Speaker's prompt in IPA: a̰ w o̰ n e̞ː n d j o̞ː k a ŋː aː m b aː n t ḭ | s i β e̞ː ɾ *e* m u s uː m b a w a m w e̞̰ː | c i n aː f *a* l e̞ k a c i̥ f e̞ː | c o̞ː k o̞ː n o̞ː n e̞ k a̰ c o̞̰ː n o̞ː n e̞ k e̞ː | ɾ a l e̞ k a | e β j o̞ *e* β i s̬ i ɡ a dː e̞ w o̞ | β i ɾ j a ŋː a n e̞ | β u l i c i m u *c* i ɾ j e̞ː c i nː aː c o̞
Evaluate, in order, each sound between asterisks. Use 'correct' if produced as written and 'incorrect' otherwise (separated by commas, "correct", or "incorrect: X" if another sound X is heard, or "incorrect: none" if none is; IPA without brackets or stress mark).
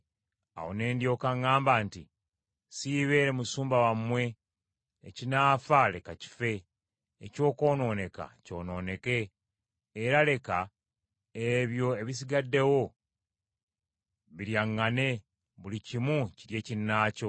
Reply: correct, correct, correct, correct